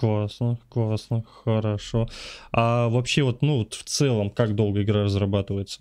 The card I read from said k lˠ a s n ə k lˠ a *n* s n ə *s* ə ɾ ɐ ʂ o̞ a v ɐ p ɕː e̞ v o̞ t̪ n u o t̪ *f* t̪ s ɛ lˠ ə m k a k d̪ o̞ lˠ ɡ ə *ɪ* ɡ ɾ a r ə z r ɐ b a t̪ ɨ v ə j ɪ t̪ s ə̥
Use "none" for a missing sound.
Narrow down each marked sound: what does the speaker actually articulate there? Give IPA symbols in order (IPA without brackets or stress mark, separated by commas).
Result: none, x, f, ɪ